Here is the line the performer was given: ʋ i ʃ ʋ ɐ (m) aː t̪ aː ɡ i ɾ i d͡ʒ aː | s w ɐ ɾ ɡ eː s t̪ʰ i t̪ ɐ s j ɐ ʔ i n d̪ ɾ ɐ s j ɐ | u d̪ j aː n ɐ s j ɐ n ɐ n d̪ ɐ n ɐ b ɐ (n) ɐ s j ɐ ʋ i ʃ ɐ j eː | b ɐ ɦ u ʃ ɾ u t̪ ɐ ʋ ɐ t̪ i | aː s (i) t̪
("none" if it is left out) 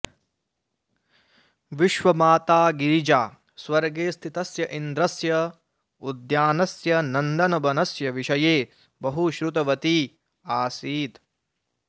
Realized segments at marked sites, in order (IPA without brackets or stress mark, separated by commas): m, n, iː